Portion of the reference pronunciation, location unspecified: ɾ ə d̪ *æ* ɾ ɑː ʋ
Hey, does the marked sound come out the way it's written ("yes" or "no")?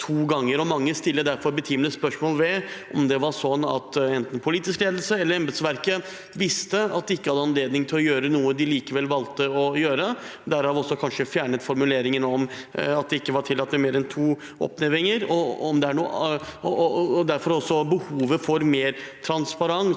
yes